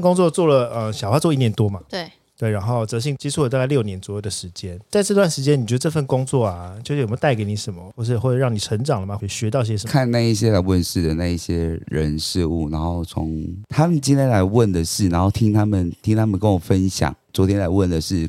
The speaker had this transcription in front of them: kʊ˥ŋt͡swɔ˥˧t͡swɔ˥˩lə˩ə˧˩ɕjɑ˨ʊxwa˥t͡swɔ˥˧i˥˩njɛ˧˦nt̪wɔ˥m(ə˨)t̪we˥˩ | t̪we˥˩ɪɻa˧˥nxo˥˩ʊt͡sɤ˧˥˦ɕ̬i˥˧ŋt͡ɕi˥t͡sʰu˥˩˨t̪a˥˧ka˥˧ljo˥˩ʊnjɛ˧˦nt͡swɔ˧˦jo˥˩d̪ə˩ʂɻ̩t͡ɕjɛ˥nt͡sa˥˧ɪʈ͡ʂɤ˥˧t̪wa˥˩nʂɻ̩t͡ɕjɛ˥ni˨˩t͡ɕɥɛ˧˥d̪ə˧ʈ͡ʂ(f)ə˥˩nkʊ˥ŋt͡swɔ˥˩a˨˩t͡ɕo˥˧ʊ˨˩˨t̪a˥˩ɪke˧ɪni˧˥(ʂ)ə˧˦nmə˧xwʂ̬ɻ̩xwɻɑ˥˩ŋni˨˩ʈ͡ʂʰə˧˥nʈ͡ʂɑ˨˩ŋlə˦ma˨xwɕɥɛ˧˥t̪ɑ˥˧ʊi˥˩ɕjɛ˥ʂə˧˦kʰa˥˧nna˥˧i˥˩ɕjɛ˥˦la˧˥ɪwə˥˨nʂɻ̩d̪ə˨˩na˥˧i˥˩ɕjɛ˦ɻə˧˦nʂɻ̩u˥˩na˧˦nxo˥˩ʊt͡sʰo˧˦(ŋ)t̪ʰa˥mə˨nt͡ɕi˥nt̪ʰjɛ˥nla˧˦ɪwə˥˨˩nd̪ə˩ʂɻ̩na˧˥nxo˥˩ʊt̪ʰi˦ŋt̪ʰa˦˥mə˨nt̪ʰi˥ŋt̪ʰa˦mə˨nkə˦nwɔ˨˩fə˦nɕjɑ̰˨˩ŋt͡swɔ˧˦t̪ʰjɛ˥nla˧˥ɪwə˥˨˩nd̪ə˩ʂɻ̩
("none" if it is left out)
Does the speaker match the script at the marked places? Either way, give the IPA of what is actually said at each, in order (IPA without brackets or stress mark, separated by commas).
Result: a˨, f, ʂ, ŋ